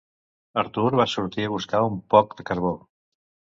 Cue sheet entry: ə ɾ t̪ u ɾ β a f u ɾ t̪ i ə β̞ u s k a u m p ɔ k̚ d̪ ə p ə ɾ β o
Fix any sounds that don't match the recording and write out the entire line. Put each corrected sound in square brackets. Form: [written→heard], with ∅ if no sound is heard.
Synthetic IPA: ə ɾ t̪ u ɾ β a [f→s] u ɾ t̪ i ə β̞ u s k a u m p ɔ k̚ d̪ ə [p→k] ə ɾ β o